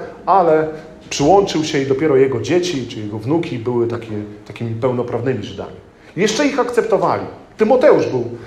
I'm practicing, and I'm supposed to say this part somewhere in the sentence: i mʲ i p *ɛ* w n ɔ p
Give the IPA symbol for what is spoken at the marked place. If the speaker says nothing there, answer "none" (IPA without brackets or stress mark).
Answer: ɛ